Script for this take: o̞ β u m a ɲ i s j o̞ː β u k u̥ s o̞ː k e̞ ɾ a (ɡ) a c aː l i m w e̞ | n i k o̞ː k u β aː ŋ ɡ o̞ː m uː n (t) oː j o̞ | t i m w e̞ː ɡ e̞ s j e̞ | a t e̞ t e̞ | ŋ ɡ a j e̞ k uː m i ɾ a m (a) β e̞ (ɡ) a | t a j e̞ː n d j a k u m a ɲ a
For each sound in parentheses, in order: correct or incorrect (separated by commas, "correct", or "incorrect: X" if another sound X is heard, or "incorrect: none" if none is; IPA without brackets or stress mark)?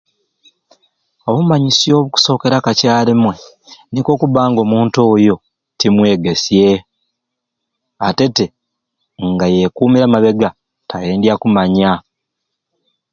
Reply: incorrect: k, correct, correct, correct